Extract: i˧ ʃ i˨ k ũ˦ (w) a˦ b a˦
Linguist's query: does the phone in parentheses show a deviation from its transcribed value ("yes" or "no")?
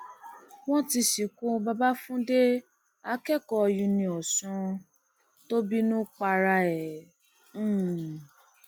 yes